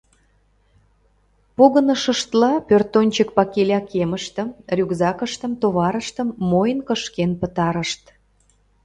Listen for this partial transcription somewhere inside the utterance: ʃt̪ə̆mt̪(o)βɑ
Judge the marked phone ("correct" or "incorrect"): correct